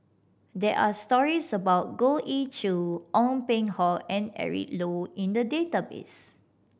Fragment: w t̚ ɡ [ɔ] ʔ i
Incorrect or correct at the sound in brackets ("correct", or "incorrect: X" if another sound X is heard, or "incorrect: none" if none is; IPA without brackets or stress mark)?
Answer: incorrect: o